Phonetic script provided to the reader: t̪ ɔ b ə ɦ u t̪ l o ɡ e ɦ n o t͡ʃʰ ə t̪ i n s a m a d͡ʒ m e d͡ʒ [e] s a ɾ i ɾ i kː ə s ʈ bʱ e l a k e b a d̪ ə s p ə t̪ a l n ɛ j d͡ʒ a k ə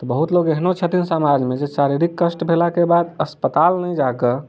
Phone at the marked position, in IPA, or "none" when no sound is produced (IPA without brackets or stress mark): e